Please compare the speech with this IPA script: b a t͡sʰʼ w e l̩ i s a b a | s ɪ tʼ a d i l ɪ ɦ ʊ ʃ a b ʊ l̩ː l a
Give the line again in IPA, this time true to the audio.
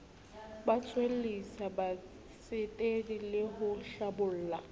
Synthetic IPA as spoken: b a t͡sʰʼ w e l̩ i s a b a | s ɪ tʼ e d i l ɪ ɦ ʊ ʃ a b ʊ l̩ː l a

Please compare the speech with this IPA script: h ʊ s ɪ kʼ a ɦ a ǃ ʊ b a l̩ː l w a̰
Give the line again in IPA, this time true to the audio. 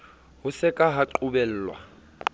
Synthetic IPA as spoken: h ʊ s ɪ kʼ a ɦ a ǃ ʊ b ɛ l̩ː l w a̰

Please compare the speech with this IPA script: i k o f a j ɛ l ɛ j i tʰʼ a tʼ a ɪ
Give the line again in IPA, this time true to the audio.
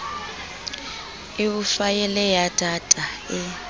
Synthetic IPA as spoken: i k u f a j ɛ l ɛ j a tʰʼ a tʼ a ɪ

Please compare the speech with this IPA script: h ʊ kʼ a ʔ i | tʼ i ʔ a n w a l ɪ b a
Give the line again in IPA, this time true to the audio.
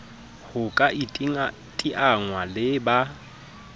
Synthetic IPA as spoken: h ʊ kʼ a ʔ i | tʼ i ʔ a ŋ w a l ɪ b a

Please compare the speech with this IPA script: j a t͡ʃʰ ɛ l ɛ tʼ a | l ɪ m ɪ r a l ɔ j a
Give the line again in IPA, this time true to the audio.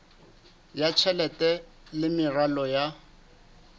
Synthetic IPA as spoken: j a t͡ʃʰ ɛ l ɛ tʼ ɛ | l ɪ m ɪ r a l ɔ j a

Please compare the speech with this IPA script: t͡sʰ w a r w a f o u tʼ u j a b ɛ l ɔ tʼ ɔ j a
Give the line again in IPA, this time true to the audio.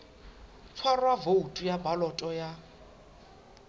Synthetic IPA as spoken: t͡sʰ w a r w a v o u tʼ u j a b a l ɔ tʼ ɔ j a

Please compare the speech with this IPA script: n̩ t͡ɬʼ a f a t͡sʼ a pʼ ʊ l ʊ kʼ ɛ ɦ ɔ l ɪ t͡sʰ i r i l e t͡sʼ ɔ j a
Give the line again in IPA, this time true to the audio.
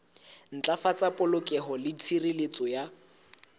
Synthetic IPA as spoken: n̩ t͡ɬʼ a f a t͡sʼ a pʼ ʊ l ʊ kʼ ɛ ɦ ɔ l ɪ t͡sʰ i r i l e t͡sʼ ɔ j a

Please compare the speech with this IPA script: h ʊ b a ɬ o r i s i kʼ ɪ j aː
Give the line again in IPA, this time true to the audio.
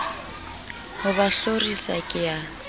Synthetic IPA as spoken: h ʊ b a ɬ o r i s a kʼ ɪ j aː

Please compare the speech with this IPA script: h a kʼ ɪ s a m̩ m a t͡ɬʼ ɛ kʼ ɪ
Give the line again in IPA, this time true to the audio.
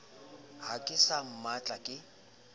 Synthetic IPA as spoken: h a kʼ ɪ s a m̩ m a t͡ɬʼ a kʼ ɪ

